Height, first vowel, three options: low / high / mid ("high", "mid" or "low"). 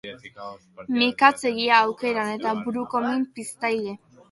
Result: high